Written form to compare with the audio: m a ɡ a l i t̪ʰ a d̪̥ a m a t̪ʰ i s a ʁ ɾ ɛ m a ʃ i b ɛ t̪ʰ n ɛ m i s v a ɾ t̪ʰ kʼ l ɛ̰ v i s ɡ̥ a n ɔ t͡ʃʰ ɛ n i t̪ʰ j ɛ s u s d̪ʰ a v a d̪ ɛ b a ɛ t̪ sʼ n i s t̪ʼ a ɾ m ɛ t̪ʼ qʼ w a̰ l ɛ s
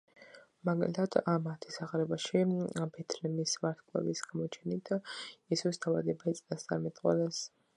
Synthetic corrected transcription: m a ɡ a l i t̪ʰ a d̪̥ a m a t̪ʰ i s a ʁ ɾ ɛ b a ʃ i b ɛ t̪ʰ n ɛ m i s v a ɾ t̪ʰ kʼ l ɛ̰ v i s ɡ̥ a m ɔ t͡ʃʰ ɛ n i t̪ʰ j ɛ s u s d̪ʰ a v a d̪ ɛ b a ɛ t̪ sʼ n a s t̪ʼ a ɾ m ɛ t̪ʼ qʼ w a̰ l ɛ s